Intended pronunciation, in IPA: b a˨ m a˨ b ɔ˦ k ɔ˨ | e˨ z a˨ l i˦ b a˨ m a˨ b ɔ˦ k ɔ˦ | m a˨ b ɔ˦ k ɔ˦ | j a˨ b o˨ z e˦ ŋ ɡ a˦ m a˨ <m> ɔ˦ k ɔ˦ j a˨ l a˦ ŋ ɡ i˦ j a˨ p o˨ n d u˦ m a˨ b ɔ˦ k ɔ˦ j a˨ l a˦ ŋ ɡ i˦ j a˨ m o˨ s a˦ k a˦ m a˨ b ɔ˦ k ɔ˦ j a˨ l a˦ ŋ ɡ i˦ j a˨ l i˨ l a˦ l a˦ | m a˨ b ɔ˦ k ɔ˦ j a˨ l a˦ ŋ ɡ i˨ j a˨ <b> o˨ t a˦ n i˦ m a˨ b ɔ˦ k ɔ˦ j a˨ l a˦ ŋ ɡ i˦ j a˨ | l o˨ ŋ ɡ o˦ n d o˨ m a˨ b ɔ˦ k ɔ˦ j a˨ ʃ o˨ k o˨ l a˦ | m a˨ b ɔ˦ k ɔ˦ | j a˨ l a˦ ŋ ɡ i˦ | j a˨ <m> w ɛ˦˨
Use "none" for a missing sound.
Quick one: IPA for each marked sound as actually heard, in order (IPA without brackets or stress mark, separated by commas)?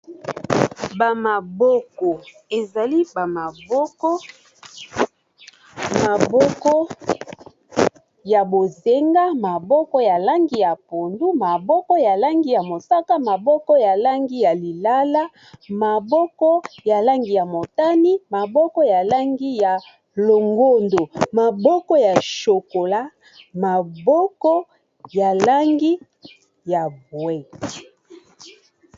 b, m, b